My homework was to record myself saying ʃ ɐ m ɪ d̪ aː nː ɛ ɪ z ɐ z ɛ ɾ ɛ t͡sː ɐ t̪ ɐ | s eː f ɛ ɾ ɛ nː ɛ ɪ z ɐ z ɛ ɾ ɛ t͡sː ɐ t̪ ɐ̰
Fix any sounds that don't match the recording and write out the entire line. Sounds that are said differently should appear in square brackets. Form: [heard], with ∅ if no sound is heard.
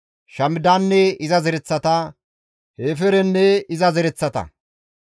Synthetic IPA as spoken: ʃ ɐ m ɪ d̪ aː nː ɛ ɪ z ɐ z ɛ ɾ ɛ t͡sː ɐ t̪ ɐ | [h] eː f ɛ ɾ ɛ nː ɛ ɪ z ɐ z ɛ ɾ ɛ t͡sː ɐ t̪ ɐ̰

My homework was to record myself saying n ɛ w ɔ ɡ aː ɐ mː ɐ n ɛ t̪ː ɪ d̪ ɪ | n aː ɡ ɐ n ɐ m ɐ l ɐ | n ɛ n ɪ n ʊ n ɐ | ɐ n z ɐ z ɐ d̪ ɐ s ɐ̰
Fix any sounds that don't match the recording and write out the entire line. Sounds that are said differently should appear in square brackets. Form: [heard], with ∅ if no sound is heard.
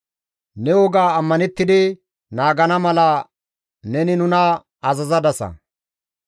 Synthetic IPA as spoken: n ɛ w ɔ ɡ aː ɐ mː ɐ n ɛ t̪ː ɪ d̪ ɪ | n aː ɡ ɐ n ɐ m ɐ l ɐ | n ɛ n ɪ n ʊ n ɐ | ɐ [∅] z ɐ z ɐ d̪ ɐ s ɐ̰

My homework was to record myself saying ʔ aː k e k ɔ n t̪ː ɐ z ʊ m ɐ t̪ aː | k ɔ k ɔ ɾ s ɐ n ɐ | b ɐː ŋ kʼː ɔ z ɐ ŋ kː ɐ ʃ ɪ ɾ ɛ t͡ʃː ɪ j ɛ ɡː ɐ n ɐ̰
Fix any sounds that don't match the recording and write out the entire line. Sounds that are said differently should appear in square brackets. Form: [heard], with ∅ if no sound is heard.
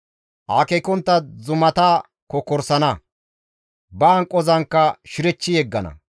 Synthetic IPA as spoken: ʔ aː k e k ɔ n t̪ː ɐ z ʊ m ɐ t̪ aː | k ɔ k ɔ ɾ s ɐ n ɐ | b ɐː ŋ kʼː ɔ z ɐ ŋ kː ɐ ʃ ɪ ɾ ɛ t͡ʃː ɪ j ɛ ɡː ɐ n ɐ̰

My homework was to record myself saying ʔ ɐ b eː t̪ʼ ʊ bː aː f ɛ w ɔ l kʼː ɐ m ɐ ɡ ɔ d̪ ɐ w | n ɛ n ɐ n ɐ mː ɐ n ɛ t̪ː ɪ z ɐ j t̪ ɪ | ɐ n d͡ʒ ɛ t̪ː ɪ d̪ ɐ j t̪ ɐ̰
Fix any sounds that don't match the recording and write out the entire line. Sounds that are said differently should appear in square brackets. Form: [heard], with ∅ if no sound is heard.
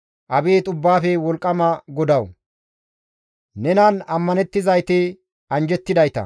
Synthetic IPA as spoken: ʔ ɐ b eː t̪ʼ ʊ bː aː f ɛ w ɔ l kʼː ɐ m ɐ ɡ ɔ d̪ ɐ w | n ɛ n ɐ n ɐ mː ɐ n ɛ t̪ː ɪ z ɐ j t̪ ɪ | ɐ n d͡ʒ ɛ t̪ː ɪ d̪ ɐ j t̪ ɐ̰

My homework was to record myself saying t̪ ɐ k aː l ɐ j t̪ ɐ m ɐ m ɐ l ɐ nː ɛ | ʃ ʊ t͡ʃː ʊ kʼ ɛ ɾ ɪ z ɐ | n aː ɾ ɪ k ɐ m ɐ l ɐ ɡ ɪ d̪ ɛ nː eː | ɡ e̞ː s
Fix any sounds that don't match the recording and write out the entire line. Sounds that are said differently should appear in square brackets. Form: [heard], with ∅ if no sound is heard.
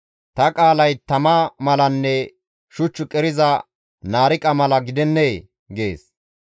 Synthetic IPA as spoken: t̪ ɐ [kʼ] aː l ɐ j t̪ ɐ m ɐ m ɐ l ɐ nː ɛ | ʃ ʊ t͡ʃː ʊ kʼ ɛ ɾ ɪ z ɐ | n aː ɾ ɪ [kʼ] ɐ m ɐ l ɐ ɡ ɪ d̪ ɛ nː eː | ɡ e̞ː s

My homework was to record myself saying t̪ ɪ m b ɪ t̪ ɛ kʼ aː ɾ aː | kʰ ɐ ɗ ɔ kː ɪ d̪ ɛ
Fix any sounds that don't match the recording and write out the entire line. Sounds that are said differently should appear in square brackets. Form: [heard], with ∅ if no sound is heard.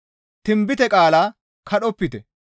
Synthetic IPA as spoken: t̪ ɪ m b ɪ t̪ ɛ kʼ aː [l] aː | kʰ ɐ ɗ ɔ [pː] ɪ [t̪] ɛ

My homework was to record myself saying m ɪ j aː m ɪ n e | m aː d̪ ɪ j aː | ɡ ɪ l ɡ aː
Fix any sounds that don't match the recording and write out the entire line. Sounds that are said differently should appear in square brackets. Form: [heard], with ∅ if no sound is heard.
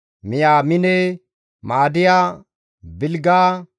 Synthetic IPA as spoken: m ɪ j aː m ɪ n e | m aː d̪ ɪ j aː | [b] ɪ l ɡ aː

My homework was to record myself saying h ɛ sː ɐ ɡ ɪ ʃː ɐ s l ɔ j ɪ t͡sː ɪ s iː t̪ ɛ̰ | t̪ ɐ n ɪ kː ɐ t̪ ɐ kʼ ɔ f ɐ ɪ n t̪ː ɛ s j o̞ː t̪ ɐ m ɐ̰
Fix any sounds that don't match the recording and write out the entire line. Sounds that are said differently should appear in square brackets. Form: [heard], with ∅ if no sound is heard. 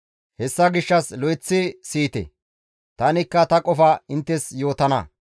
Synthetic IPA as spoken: h ɛ sː ɐ ɡ ɪ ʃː ɐ s l ɔ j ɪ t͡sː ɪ s iː t̪ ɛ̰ | t̪ ɐ n ɪ kː ɐ t̪ ɐ kʼ ɔ f ɐ ɪ n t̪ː ɛ s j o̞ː t̪ ɐ [n] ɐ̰

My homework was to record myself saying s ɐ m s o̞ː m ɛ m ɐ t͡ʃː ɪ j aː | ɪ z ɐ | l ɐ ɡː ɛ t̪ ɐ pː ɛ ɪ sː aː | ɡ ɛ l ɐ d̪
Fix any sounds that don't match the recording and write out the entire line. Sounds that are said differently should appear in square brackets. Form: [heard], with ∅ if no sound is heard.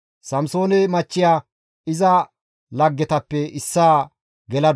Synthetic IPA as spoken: s ɐ m s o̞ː [n] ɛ m ɐ t͡ʃː ɪ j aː | ɪ z ɐ | l ɐ ɡː ɛ t̪ ɐ pː ɛ ɪ sː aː | ɡ ɛ l ɐ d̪

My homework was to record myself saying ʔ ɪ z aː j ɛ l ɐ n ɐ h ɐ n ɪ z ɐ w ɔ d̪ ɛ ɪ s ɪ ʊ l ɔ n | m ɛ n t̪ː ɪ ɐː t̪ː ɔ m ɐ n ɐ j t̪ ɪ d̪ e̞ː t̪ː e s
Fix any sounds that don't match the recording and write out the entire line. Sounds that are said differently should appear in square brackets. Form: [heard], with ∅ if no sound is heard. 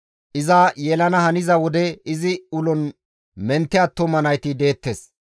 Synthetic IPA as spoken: ʔ ɪ z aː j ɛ l ɐ n ɐ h ɐ n ɪ z ɐ w ɔ d̪ ɛ ɪ [z] ɪ ʊ l ɔ n | m ɛ n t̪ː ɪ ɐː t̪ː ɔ m ɐ n ɐ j t̪ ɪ d̪ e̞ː t̪ː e s

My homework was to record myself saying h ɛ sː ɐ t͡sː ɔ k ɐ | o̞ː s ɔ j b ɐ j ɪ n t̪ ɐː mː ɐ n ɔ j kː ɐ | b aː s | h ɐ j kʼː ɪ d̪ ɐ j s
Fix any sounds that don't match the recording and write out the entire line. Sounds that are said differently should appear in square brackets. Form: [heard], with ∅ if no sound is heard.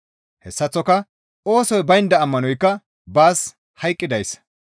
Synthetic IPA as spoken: h ɛ sː ɐ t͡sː ɔ k ɐ | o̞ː s ɔ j b ɐ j ɪ n [d̪] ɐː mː ɐ n ɔ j kː ɐ | b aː s | h ɐ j kʼː ɪ d̪ ɐ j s

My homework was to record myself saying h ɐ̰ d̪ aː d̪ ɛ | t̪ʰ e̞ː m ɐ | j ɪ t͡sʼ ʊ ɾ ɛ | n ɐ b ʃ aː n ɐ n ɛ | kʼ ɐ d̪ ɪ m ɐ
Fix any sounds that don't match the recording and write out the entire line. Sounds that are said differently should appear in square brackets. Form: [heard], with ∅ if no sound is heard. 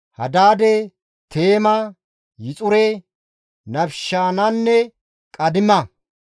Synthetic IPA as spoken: h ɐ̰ d̪ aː d̪ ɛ | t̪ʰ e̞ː m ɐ | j ɪ t͡sʼ ʊ ɾ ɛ | n ɐ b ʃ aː n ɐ [nː] ɛ | kʼ ɐ d̪ ɪ m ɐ

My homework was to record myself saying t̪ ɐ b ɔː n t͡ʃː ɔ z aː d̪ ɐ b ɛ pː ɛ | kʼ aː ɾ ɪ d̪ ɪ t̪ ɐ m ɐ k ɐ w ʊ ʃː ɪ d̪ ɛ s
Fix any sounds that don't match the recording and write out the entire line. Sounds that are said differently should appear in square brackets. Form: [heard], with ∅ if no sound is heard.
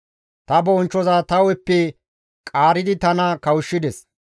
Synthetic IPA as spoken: t̪ ɐ b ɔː n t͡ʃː ɔ z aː [t̪] ɐ [w] ɛ pː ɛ | kʼ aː ɾ ɪ d̪ ɪ t̪ ɐ [n] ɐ k ɐ w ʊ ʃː ɪ d̪ ɛ s

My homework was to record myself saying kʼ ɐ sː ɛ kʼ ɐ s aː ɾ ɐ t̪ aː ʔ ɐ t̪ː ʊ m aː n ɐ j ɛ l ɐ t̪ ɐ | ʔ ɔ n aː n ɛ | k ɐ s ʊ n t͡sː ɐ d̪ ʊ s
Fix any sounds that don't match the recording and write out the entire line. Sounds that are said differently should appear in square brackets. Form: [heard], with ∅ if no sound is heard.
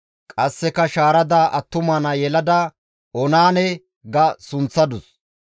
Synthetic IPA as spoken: kʼ ɐ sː ɛ [k] ɐ [ʃ] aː ɾ ɐ [d̪] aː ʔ ɐ t̪ː ʊ m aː n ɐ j ɛ l ɐ [d̪] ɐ | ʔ ɔ n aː n ɛ | [ɡ] ɐ s ʊ n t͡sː ɐ d̪ ʊ s

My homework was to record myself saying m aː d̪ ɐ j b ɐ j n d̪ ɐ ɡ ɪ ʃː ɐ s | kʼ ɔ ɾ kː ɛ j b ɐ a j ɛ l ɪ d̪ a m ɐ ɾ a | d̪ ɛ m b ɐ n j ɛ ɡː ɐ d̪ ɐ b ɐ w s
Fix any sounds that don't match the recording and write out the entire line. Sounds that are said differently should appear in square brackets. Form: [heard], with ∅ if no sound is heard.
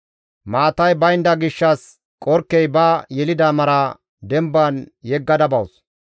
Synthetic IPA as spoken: m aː [t̪] ɐ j b ɐ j n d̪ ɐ ɡ ɪ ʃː ɐ s | kʼ ɔ ɾ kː ɛ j b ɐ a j ɛ l ɪ d̪ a m ɐ ɾ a | d̪ ɛ m b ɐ n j ɛ ɡː ɐ d̪ ɐ b ɐ w s

